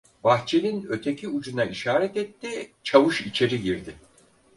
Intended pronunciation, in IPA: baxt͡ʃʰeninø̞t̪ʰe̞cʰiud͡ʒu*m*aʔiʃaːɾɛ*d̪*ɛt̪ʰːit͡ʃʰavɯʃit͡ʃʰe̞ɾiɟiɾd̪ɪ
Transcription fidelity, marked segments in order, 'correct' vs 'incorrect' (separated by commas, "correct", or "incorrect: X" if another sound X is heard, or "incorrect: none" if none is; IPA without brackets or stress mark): incorrect: n, incorrect: t̪